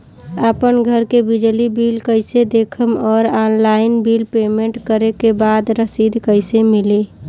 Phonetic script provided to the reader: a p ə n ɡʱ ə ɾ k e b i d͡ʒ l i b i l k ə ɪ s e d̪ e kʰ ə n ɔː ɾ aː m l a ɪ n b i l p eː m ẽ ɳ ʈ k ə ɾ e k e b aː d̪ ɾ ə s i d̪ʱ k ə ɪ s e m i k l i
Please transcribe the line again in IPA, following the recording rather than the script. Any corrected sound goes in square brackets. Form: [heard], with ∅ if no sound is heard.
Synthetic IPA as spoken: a p ə n ɡʱ ə ɾ k e b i d͡ʒ l i b i l k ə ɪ s e d̪ e kʰ ə [m] ɔː ɾ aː [n] l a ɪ n b i l p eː m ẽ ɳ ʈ k ə ɾ e k e b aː d̪ ɾ ə s i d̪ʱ k ə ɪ s e m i [∅] l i